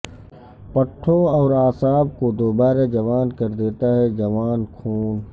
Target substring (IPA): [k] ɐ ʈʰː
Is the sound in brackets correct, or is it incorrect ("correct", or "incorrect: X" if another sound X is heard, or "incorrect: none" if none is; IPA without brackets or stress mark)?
incorrect: p